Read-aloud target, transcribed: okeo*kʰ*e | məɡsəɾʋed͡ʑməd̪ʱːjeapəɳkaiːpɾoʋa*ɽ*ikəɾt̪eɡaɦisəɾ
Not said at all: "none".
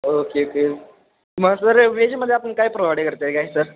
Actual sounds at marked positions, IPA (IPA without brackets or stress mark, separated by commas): k, ɽ